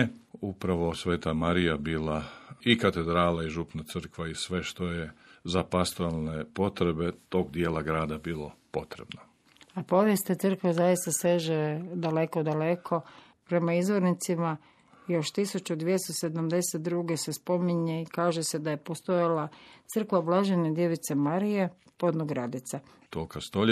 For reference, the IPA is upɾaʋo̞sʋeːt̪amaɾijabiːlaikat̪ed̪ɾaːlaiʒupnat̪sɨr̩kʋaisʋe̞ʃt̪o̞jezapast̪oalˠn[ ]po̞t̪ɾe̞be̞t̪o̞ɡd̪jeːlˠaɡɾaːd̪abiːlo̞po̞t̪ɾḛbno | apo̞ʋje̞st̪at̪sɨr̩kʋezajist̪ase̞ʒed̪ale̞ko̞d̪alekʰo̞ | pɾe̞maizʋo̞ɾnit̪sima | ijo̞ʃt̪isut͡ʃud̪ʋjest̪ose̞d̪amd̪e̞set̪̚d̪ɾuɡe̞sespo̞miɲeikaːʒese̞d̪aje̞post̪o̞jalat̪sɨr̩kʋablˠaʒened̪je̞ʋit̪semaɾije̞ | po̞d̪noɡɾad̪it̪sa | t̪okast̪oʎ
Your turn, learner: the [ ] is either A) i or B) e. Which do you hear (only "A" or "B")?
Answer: B